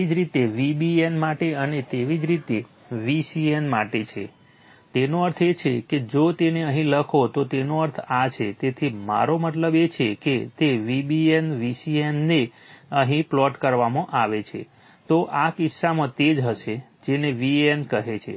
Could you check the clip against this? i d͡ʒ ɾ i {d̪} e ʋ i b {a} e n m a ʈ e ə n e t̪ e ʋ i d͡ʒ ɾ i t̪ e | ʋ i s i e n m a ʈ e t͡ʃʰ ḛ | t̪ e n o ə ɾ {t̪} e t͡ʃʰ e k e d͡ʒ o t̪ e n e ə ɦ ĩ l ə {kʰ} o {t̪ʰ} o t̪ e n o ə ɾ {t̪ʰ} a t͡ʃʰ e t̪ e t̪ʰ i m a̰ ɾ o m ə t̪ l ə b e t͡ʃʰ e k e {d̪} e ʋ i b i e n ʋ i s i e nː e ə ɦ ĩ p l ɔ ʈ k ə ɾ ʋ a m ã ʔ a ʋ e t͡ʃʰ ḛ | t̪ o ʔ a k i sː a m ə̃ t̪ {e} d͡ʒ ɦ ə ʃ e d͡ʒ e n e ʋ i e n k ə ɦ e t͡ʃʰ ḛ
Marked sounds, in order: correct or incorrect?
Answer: incorrect, incorrect, incorrect, correct, incorrect, correct, incorrect, correct

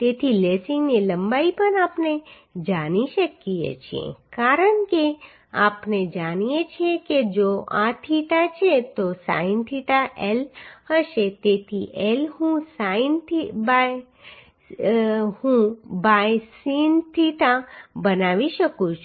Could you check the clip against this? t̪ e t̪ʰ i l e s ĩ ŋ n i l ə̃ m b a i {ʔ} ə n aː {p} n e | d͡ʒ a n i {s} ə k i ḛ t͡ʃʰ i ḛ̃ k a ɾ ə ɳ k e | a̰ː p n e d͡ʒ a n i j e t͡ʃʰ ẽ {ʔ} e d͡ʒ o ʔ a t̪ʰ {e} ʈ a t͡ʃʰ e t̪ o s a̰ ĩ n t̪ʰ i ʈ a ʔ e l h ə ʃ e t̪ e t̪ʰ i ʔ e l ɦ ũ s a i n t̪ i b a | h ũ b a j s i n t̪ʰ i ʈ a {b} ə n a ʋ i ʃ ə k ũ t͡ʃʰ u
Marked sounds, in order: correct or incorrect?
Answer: incorrect, correct, incorrect, incorrect, incorrect, correct

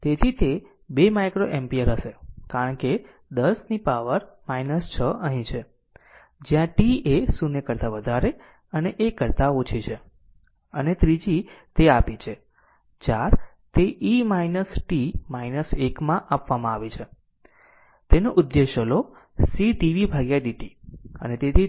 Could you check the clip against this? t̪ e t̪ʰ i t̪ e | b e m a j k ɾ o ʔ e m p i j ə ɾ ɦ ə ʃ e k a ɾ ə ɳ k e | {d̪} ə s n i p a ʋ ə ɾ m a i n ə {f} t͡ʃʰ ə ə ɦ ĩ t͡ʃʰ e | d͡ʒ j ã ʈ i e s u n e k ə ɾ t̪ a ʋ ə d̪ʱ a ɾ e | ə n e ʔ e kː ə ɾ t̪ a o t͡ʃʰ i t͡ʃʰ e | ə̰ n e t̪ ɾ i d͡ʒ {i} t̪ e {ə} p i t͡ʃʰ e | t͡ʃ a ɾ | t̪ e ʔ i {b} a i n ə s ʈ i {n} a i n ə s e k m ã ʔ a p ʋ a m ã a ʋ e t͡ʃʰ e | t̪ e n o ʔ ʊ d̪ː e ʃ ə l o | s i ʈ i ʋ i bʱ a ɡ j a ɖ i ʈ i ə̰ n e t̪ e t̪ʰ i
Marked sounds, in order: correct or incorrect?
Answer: correct, incorrect, correct, incorrect, incorrect, incorrect

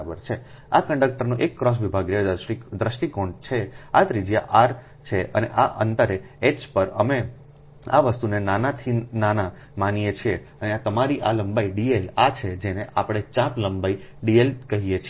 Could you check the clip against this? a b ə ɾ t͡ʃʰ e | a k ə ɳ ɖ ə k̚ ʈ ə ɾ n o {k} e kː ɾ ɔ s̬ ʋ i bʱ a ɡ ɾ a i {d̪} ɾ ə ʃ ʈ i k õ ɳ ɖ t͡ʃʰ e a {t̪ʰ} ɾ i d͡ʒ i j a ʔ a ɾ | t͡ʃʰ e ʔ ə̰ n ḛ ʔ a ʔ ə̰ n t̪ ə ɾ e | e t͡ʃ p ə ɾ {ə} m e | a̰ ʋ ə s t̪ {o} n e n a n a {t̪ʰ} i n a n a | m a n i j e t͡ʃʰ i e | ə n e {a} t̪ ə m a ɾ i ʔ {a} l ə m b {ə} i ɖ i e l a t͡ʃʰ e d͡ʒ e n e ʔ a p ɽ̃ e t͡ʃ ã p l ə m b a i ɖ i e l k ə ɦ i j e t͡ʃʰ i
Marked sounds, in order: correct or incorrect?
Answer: incorrect, correct, incorrect, correct, incorrect, correct, correct, correct, incorrect

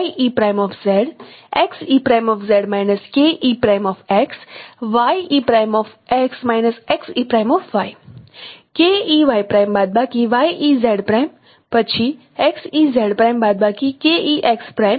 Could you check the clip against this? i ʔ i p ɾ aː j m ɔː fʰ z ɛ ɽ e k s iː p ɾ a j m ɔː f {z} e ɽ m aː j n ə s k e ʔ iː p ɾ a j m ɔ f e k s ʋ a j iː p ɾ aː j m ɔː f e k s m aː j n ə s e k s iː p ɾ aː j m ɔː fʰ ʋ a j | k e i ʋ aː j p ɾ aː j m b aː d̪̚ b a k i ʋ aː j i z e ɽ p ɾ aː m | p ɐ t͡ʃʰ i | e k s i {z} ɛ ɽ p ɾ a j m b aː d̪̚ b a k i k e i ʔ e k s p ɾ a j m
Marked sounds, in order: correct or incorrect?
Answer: correct, correct

